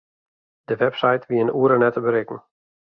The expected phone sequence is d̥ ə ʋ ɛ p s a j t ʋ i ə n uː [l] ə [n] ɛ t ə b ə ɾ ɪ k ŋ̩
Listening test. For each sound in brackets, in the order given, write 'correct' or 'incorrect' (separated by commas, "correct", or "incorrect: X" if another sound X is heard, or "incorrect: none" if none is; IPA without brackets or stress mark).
incorrect: ɾ, correct